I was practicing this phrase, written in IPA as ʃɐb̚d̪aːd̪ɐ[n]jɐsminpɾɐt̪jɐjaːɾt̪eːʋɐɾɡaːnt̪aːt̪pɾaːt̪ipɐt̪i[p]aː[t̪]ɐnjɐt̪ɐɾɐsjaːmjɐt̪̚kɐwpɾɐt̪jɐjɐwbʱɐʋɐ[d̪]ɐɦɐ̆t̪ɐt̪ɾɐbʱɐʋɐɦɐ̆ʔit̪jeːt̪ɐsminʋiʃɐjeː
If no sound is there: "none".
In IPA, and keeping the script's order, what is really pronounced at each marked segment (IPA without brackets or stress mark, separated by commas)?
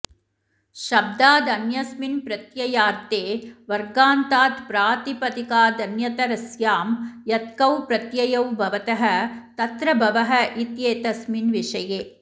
n, k, d̪, t̪